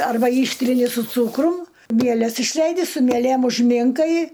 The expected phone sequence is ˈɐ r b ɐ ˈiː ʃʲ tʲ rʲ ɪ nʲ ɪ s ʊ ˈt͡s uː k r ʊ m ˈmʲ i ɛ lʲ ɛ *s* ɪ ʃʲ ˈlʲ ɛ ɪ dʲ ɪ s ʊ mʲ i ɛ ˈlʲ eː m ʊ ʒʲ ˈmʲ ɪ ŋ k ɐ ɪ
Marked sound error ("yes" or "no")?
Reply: no